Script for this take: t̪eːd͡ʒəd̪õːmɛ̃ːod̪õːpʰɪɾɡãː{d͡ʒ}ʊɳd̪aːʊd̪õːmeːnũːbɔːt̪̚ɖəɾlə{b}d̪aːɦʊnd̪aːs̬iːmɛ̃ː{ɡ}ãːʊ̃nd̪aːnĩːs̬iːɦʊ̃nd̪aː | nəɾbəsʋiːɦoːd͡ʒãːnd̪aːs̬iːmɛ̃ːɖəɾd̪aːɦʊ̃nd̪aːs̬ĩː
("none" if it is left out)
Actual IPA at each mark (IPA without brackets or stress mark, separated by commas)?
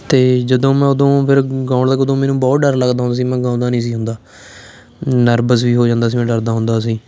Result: none, ɡ, ɡ